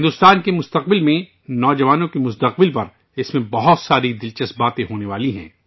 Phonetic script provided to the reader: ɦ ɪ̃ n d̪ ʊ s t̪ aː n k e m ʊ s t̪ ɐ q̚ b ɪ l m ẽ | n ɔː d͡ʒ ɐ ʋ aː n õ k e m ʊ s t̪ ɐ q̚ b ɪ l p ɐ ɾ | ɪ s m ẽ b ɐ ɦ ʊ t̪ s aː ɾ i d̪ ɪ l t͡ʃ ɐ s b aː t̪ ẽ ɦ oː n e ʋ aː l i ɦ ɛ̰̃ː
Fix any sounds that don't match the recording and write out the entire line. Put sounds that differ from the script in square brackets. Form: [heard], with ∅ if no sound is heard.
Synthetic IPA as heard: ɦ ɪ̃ n d̪ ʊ s t̪ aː n k e m ʊ s t̪ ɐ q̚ b ɪ l m ẽ | n ɔː d͡ʒ ɐ ʋ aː n õ k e m ʊ s t̪ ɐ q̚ b ɪ l p ɐ ɾ | ɪ s m ẽ b ɐ ɦ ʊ t̪ s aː ɾ i d̪ ɪ l t͡ʃ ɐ s b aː t̪ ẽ ɦ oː n e ʋ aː l i ɦ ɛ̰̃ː